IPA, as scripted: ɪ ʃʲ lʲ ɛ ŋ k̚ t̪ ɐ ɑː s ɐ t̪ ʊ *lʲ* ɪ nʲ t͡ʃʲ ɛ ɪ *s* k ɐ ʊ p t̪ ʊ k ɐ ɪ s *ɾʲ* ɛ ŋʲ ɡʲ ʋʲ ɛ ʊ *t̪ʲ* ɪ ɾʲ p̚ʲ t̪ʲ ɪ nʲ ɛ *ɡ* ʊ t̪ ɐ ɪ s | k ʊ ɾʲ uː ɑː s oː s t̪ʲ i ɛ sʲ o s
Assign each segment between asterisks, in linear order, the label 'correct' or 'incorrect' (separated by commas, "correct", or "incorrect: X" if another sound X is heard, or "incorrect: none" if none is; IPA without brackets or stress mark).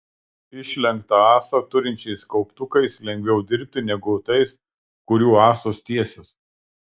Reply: incorrect: ɾʲ, correct, incorrect: lʲ, incorrect: d̪ʲ, correct